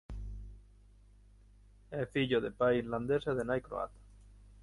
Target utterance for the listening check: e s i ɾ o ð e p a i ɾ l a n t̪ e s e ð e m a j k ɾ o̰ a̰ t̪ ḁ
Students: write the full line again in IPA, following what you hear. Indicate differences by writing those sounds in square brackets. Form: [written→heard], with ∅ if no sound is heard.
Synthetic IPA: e [s→f] i [ɾ→ʎ] o ð e p a i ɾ l a n [t̪→d̪] e s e ð e [m→n] a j k ɾ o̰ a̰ t̪ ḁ